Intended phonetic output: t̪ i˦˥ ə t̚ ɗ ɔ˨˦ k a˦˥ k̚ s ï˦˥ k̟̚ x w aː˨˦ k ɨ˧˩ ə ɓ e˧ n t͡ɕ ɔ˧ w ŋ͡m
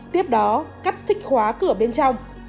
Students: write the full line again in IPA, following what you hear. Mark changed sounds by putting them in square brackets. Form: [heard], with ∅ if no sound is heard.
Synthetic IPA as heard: t̪ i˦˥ ə [p̚] ɗ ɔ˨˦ k a˦˥ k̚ s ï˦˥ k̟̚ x w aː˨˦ k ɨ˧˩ ə ɓ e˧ n t͡ɕ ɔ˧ w ŋ͡m